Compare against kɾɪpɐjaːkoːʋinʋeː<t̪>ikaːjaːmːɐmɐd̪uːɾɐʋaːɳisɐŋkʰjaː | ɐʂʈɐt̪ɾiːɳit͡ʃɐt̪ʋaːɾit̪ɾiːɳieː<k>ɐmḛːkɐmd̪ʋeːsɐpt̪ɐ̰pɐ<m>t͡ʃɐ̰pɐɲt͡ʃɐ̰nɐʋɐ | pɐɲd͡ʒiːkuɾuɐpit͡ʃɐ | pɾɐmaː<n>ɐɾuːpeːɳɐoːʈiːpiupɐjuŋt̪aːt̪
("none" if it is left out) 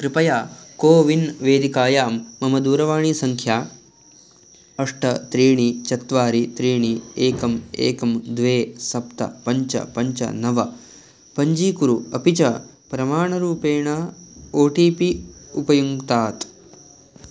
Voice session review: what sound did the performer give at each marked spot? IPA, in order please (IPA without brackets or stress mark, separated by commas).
d̪, k, ɲ, ɳ